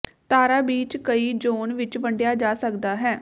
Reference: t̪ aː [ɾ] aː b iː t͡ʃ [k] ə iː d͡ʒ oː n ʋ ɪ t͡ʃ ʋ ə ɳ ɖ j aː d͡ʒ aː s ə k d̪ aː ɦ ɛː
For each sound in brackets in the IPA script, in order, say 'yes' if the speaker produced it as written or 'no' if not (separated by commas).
yes, yes